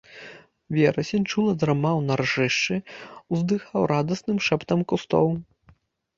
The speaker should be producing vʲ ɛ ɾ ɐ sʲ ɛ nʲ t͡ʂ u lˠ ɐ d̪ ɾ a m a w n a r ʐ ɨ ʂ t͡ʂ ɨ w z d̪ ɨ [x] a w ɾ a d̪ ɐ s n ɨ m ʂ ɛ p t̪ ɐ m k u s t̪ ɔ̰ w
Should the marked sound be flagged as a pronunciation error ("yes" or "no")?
no